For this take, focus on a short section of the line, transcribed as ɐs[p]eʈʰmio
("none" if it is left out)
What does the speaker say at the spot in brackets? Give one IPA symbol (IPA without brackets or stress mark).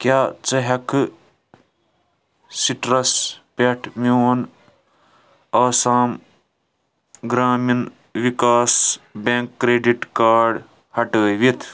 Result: p